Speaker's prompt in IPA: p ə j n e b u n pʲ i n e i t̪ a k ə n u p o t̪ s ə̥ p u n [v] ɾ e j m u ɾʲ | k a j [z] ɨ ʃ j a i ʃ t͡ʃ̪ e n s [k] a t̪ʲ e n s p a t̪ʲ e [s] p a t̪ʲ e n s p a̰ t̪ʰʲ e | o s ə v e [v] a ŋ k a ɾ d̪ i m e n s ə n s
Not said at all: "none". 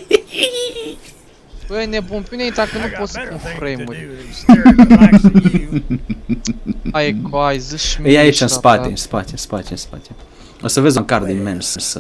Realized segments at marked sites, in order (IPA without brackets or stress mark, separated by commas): f, z, p, s, z